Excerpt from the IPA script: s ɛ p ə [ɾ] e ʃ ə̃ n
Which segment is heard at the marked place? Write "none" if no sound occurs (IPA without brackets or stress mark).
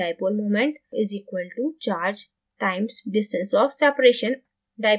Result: ɾ